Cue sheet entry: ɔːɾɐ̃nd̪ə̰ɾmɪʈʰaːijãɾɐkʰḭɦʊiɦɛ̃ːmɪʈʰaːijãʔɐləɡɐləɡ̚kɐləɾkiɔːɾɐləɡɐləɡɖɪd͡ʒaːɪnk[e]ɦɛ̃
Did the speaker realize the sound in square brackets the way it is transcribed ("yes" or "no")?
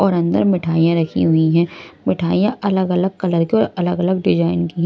no